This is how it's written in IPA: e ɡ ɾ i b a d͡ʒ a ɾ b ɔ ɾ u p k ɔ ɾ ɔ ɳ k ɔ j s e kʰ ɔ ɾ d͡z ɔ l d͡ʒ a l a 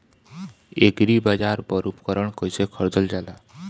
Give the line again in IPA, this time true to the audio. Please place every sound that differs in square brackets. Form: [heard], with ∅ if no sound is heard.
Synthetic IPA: e ɡ ɾ i b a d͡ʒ a ɾ b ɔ ɾ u p k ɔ ɾ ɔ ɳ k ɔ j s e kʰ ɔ ɾ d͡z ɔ l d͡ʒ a l a

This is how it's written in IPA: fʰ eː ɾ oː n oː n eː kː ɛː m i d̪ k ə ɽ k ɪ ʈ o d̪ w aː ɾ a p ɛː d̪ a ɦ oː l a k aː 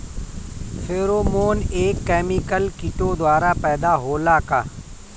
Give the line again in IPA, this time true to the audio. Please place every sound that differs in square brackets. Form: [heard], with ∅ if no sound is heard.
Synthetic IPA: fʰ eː ɾ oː [m] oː n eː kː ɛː m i [∅] k ə [l] k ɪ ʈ o d̪ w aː ɾ a p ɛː d̪ a ɦ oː l a k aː

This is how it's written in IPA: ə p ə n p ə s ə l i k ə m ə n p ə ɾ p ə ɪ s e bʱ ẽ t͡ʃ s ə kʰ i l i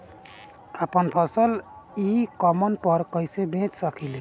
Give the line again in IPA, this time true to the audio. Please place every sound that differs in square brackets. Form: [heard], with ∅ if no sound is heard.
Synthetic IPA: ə p ə n [pʰ] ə s ə l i k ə m ə n p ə ɾ [k] ə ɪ s e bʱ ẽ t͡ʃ s ə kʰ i l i

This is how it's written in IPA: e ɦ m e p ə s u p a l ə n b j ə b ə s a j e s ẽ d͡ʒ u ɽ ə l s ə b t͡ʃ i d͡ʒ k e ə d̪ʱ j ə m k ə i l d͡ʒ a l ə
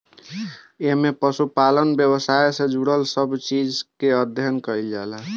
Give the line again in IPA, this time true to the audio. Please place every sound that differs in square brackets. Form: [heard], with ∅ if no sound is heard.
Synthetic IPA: e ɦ m e p ə s u p a l ə n b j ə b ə s a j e s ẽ d͡ʒ u ɽ ə l s ə b t͡ʃ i d͡ʒ k e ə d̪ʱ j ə [n] k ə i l d͡ʒ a l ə

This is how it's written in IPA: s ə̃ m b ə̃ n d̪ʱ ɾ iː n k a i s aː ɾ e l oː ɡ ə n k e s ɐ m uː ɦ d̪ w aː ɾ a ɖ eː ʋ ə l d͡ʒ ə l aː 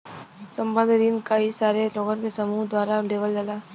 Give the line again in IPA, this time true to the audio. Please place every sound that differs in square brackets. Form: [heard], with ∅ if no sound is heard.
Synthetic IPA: s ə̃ m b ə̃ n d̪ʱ ɾ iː n k a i s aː ɾ e l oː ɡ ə n k e s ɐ m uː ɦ d̪ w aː ɾ a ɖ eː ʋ ə l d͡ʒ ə l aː

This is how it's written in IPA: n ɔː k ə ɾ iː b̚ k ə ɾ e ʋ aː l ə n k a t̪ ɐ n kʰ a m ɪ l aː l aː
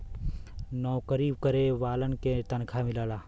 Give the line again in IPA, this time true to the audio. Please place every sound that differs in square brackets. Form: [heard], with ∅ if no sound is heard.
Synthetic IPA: n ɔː k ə ɾ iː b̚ k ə ɾ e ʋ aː l ə n k [e] t̪ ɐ n kʰ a m ɪ l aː l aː

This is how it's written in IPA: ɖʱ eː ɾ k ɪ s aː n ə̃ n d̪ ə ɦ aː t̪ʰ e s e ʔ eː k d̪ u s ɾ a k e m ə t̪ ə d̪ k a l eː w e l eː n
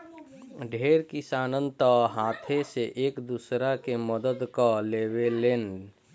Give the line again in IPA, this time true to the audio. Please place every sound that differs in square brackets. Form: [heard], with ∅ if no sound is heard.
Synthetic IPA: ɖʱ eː ɾ k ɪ s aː n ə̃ n [t̪] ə ɦ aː t̪ʰ e s e ʔ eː k d̪ u s ɾ a k e m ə [d̪] ə d̪ k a l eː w e l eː n

